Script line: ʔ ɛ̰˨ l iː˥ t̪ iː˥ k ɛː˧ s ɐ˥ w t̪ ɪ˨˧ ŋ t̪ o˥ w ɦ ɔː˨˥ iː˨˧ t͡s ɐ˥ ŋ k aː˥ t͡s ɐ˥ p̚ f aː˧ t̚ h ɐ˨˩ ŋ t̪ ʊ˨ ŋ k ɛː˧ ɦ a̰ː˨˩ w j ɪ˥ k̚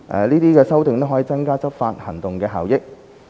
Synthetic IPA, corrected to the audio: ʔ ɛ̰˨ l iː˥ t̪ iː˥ k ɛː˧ s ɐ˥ w t̪ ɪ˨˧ ŋ t̪ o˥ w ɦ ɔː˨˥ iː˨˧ t͡s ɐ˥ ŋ k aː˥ t͡s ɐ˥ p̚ f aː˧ t̚ h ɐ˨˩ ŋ t̪ ʊ˨ ŋ k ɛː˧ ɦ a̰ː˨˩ w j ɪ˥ k̚